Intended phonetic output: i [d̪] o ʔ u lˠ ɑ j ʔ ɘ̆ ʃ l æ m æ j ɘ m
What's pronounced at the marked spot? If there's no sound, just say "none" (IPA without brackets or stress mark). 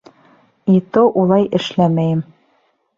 t̪